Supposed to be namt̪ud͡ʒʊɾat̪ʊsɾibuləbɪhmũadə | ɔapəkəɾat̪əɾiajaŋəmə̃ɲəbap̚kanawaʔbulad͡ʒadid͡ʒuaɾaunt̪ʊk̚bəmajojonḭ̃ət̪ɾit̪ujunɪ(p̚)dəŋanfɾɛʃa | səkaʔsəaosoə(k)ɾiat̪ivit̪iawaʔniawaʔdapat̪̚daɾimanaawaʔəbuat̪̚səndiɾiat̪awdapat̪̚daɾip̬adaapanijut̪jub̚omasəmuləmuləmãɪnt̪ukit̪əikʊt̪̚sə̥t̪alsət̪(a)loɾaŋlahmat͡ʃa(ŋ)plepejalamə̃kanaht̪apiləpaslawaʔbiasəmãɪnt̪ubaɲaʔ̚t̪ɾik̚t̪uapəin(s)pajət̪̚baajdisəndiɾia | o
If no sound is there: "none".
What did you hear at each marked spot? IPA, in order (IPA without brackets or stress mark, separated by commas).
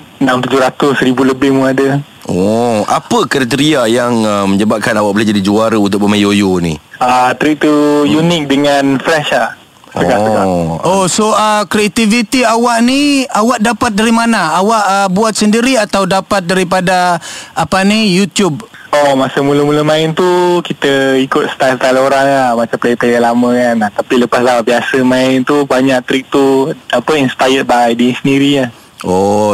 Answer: k̚, k, a, m, s